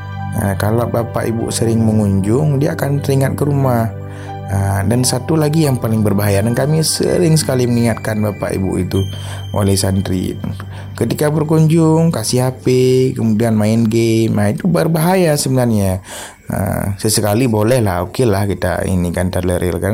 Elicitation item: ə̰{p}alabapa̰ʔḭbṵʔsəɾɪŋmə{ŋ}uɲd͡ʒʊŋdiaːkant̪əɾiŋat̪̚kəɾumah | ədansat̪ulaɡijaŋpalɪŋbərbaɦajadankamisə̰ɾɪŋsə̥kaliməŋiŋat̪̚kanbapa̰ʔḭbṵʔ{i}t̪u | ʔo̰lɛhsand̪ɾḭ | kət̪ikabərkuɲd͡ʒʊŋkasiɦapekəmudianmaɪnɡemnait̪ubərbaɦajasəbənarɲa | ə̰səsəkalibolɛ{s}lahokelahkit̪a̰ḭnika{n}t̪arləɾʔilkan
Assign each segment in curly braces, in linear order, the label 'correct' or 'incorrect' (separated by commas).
incorrect, correct, correct, incorrect, correct